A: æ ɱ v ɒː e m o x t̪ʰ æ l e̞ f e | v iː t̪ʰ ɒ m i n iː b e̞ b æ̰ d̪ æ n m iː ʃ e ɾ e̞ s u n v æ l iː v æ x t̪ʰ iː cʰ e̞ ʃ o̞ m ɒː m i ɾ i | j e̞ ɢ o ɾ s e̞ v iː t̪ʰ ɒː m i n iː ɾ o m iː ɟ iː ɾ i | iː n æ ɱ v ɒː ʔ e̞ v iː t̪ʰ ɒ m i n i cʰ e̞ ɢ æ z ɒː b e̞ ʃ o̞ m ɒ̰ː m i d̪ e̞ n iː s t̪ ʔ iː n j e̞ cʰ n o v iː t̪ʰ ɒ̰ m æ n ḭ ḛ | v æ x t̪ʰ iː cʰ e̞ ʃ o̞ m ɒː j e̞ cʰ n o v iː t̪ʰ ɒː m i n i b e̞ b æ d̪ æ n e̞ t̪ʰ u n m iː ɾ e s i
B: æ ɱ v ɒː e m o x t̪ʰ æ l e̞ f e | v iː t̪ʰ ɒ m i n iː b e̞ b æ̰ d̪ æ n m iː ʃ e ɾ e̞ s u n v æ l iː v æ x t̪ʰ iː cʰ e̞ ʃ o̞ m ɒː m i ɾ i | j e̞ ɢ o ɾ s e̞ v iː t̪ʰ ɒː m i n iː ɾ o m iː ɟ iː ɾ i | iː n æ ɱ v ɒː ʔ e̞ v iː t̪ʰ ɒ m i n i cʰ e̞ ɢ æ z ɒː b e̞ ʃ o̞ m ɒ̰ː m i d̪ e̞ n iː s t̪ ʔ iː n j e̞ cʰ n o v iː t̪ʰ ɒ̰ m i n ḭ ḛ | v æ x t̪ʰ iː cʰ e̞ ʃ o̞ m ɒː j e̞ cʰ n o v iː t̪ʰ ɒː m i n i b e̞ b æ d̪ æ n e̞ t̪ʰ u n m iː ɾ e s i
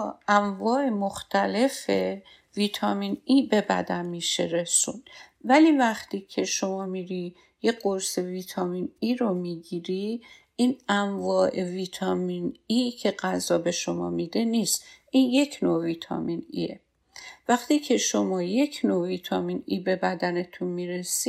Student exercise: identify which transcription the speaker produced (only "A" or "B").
B